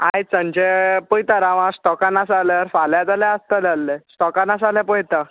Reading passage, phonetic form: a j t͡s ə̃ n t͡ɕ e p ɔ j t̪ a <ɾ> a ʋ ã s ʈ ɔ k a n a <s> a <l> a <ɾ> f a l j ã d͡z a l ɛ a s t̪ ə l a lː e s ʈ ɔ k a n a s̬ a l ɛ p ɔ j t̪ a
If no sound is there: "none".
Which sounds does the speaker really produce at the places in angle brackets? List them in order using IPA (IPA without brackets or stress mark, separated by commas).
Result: ɾ, s, l, ɾ